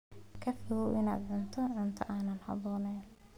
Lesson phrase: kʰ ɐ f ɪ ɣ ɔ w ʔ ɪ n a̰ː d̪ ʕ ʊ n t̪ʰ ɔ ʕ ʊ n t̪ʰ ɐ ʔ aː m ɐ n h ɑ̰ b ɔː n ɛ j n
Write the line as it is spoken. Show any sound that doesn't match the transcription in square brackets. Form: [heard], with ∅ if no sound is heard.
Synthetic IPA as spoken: kʰ ɐ f ɪ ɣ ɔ w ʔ ɪ n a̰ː d̪ ʕ ʊ n t̪ʰ ɔ ʕ ʊ n t̪ʰ ɐ ʔ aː [n] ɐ n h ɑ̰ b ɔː n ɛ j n

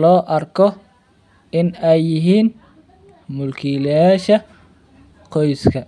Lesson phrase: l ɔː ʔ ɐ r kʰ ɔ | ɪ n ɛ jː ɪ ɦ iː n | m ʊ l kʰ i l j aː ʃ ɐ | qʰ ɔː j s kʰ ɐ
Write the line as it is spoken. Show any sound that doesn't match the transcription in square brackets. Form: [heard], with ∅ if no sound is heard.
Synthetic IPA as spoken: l ɔː ʔ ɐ r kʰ ɔ | ɪ n ɛ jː ɪ ɦ iː n | m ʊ l kʰ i l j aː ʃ ɐ | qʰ [ɔ] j s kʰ ɐ

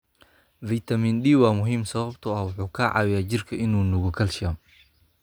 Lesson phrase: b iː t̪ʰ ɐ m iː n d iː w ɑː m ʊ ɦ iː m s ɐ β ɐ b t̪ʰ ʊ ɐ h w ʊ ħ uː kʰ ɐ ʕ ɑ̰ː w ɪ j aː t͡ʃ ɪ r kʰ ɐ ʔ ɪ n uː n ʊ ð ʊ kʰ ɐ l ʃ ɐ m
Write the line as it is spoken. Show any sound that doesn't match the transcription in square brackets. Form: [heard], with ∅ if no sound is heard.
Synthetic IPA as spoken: [v] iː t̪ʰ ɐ m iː n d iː w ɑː m ʊ ɦ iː m s ɐ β ɐ b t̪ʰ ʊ ɐ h w ʊ ħ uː kʰ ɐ ʕ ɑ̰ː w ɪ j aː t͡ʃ ɪ r kʰ ɐ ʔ ɪ n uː n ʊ [ɣ] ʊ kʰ ɐ l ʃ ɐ m

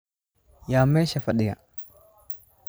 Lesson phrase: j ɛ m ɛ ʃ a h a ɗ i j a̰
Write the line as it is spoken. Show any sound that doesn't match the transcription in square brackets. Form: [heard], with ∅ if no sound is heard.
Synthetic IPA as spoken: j [a] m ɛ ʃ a [f] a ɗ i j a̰

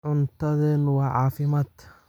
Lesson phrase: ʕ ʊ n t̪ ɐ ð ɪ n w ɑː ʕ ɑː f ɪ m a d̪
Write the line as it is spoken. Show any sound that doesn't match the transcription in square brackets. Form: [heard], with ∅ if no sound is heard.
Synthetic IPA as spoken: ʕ ʊ n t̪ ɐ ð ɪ n w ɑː ʕ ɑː f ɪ m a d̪

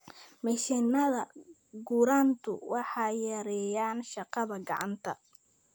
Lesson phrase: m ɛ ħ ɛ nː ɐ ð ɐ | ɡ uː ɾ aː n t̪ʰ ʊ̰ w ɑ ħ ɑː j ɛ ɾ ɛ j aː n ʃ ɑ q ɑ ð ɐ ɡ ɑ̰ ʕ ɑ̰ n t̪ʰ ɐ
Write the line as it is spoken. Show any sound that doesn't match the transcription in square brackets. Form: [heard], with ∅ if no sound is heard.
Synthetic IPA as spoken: m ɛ [ʃ] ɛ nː ɐ ð ɐ | ɡ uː ɾ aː n t̪ʰ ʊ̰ w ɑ ħ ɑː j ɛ ɾ ɛ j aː n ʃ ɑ q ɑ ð ɐ ɡ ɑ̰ ʕ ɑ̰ n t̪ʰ ɐ

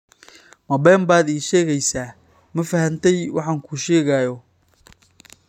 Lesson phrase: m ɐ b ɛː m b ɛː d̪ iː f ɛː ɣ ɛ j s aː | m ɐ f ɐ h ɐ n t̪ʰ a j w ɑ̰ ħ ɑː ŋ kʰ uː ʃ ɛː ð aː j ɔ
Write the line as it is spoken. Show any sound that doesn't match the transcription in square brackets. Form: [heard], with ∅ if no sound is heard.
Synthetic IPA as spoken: m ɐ b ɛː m b [aː] d̪ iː [ʃ] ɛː ɣ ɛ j s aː | m ɐ f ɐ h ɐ n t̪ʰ [ɛ] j w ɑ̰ ħ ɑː ŋ kʰ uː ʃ ɛː [ɣ] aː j ɔ

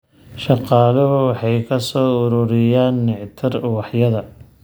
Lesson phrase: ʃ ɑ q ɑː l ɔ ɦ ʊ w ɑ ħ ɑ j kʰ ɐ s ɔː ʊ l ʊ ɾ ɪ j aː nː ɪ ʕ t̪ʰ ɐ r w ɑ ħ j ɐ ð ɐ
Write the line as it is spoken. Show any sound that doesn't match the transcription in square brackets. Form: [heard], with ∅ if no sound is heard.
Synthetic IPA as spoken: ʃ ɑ q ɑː l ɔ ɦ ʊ w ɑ ħ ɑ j kʰ ɐ s ɔː ʊ [ɾ] ʊ ɾ ɪ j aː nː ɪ ʕ t̪ʰ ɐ r w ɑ ħ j ɐ ð ɐ

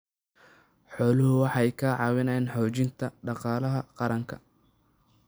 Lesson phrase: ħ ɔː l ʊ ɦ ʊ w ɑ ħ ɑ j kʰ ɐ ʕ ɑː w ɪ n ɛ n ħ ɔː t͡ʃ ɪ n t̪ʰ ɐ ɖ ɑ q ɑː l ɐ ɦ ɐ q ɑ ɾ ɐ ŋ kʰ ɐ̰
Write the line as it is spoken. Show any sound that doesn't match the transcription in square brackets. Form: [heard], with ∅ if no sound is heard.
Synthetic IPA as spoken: ħ ɔː l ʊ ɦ ʊ w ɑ ħ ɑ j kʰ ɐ ʕ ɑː w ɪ n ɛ n ħ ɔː t͡ʃ ɪ n t̪ʰ ɐ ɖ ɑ q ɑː l ɐ ɦ ɐ q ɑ ɾ ɐ ŋ kʰ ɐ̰

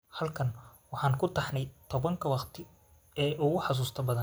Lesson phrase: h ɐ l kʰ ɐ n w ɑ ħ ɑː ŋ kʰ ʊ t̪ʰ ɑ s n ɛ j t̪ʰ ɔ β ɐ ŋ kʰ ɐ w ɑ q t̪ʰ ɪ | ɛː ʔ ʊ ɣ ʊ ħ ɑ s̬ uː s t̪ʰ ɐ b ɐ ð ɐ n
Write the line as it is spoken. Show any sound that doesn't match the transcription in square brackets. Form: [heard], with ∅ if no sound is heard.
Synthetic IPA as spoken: h ɐ l kʰ ɐ n w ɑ ħ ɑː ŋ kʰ ʊ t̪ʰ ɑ [ħ] n ɛ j t̪ʰ ɔ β ɐ ŋ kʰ ɐ w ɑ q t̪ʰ ɪ | ɛː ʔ ʊ ɣ ʊ ħ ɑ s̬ uː s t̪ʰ ɐ b ɐ ð ɐ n

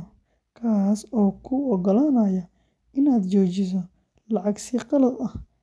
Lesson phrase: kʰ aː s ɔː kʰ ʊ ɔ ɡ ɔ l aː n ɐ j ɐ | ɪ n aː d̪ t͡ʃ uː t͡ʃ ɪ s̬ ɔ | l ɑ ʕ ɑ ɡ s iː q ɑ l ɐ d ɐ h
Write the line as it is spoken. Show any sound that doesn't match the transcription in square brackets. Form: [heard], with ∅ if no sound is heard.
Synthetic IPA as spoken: kʰ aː s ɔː kʰ ʊ ɔ ɡ ɔ l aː n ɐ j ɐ | ɪ n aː d̪ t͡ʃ [ɔː] t͡ʃ ɪ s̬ ɔ | l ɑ ʕ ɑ ɡ s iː q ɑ l ɐ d ɐ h

